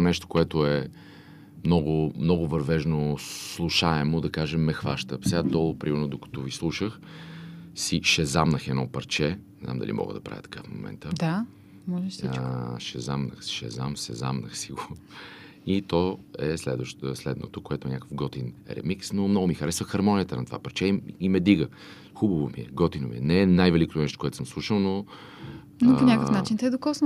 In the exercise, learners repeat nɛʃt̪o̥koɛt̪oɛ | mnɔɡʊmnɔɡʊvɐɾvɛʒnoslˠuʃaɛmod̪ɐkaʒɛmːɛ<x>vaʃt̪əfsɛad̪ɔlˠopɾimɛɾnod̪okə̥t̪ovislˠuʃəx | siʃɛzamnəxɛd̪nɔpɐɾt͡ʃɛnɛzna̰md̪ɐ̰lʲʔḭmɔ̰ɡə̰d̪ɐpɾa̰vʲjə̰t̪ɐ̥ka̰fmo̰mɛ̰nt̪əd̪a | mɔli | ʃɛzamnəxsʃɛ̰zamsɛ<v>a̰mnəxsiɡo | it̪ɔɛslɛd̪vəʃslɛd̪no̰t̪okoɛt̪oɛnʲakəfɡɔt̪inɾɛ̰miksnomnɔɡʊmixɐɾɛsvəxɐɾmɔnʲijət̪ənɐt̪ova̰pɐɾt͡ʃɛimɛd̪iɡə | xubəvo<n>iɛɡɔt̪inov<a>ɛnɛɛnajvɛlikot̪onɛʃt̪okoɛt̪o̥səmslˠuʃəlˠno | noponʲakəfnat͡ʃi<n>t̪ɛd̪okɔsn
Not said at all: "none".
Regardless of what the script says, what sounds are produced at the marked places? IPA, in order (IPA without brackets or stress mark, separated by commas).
x, z, m, i, n